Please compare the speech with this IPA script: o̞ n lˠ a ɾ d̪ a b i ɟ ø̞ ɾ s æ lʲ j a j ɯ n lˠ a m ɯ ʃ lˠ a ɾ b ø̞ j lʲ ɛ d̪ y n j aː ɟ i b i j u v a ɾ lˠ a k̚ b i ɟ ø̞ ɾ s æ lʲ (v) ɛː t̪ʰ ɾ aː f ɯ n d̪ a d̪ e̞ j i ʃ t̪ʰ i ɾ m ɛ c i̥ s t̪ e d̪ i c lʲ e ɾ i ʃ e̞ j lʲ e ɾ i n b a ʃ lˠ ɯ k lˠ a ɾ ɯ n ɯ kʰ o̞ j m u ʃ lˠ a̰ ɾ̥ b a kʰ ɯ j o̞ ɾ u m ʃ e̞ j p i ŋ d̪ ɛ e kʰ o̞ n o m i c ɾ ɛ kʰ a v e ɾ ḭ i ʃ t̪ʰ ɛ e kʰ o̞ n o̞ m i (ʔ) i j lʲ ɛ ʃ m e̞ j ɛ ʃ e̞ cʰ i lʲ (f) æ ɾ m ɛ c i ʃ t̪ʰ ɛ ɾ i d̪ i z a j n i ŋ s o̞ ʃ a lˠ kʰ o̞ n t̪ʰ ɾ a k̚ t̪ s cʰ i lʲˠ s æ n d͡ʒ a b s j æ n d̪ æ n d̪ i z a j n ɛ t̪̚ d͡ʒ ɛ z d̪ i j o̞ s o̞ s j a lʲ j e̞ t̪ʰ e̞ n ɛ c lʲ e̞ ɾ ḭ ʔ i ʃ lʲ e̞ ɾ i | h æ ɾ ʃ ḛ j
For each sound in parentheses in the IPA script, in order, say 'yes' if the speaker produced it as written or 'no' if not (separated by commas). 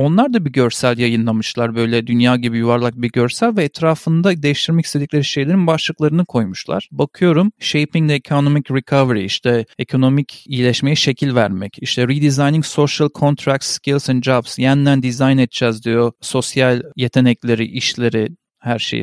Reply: yes, no, no